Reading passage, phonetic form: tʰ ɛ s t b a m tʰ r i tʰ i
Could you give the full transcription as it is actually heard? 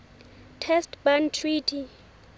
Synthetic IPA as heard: tʰ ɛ s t b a n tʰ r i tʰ i